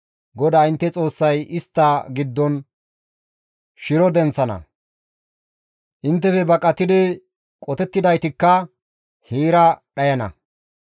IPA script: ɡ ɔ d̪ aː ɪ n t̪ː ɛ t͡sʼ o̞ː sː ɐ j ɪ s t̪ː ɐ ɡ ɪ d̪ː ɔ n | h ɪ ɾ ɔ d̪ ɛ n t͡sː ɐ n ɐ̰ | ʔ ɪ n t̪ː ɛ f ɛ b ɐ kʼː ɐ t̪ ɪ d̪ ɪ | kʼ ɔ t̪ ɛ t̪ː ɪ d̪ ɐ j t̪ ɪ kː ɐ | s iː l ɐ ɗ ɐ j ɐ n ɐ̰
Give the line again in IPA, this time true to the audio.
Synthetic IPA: ɡ ɔ d̪ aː ɪ n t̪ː ɛ t͡sʼ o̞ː sː ɐ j ɪ s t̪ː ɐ ɡ ɪ d̪ː ɔ n | ʃ ɪ ɾ ɔ d̪ ɛ n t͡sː ɐ n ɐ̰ | ʔ ɪ n t̪ː ɛ f ɛ b ɐ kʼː ɐ t̪ ɪ d̪ ɪ | kʼ ɔ t̪ ɛ t̪ː ɪ d̪ ɐ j t̪ ɪ kː ɐ | h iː ɾ ɐ ɗ ɐ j ɐ n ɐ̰

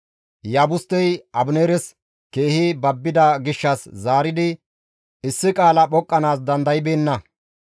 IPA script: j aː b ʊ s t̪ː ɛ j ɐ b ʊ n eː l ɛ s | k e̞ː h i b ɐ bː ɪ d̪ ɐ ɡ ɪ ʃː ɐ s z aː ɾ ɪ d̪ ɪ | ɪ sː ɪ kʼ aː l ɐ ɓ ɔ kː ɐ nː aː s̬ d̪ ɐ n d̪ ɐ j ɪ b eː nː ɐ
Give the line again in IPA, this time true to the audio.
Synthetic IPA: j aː b ʊ s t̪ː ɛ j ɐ b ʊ n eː ɾ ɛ s | k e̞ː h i b ɐ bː ɪ d̪ ɐ ɡ ɪ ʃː ɐ s z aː ɾ ɪ d̪ ɪ | ɪ sː ɪ kʼ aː l ɐ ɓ ɔ kʼː ɐ n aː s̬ d̪ ɐ n d̪ ɐ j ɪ b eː nː ɐ

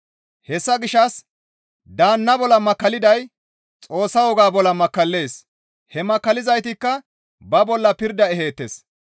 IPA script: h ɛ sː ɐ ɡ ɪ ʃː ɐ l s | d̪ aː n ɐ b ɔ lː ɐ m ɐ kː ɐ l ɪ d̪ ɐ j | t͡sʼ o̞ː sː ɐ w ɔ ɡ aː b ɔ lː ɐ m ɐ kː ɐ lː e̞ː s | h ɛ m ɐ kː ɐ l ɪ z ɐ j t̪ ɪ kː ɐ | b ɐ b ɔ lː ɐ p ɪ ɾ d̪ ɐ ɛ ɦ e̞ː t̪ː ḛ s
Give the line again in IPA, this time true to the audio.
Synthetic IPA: h ɛ sː ɐ ɡ ɪ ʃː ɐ s | d̪ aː nː ɐ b ɔ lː ɐ m ɐ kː ɐ l ɪ d̪ ɐ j | t͡sʼ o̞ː sː ɐ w ɔ ɡ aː b ɔ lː ɐ m ɐ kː ɐ lː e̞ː s | h ɛ m ɐ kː ɐ l ɪ z ɐ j t̪ ɪ kː ɐ | b ɐ b ɔ lː ɐ p ɪ ɾ d̪ ɐ ɛ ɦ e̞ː t̪ː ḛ s

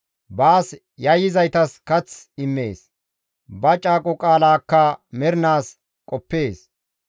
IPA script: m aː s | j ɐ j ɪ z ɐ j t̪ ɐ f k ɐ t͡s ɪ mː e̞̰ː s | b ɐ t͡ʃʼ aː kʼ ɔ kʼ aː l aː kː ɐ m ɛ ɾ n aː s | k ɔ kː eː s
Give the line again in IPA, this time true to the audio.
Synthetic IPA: b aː s | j ɐ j ɪ z ɐ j t̪ ɐ s k ɐ t͡s ɪ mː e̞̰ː s | b ɐ t͡ʃʼ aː kʼ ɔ kʼ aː l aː kː ɐ m ɛ ɾ n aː s | kʼ ɔ pː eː s

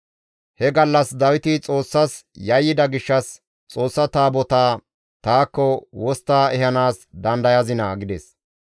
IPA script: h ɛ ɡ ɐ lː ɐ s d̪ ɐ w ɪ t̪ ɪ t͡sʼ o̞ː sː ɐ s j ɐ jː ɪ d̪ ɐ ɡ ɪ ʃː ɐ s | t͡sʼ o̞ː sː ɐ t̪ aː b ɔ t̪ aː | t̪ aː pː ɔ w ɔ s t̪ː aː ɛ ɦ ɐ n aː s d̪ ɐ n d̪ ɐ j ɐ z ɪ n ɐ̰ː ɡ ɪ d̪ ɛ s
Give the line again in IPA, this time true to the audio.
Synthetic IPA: h ɛ ɡ ɐ lː ɐ s d̪ ɐ w ɪ t̪ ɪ t͡sʼ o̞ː sː ɐ s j ɐ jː ɪ d̪ ɐ ɡ ɪ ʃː ɐ s | t͡sʼ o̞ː sː ɐ t̪ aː b ɔ t̪ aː | t̪ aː kː ɔ w ɔ s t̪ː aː ɛ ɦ ɐ n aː s d̪ ɐ n d̪ ɐ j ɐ z ɪ n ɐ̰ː ɡ ɪ d̪ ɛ s

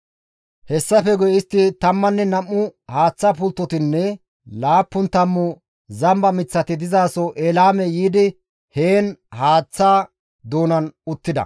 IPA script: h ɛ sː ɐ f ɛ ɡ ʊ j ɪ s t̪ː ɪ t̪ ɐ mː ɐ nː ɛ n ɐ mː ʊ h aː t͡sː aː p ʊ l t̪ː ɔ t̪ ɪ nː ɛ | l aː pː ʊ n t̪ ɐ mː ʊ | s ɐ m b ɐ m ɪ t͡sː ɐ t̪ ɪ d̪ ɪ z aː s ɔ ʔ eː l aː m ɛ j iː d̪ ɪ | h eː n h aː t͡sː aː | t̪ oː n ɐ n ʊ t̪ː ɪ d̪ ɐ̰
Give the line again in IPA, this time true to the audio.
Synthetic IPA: h ɛ sː ɐ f ɛ ɡ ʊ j ɪ s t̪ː ɪ t̪ ɐ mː ɐ nː ɛ n ɐ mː ʊ h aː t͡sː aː p ʊ l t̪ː ɔ t̪ ɪ nː ɛ | l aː pː ʊ n t̪ ɐ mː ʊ | z ɐ m b ɐ m ɪ t͡sː ɐ t̪ ɪ d̪ ɪ z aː s ɔ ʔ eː l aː m ɛ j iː d̪ ɪ | h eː n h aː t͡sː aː | d̪ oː n ɐ n ʊ t̪ː ɪ d̪ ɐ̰

